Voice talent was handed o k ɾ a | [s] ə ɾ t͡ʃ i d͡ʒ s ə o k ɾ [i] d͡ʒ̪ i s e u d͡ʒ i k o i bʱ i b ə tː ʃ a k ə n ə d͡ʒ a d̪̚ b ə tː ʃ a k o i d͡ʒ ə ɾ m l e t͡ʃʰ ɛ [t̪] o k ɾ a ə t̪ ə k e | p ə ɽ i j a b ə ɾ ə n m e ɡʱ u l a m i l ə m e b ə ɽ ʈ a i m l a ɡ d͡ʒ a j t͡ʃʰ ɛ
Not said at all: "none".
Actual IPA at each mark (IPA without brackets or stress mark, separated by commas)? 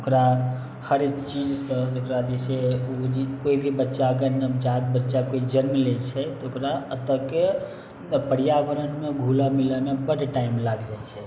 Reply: h, a, t̪